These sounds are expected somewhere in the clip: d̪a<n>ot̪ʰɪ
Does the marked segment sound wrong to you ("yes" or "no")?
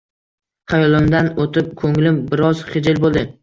no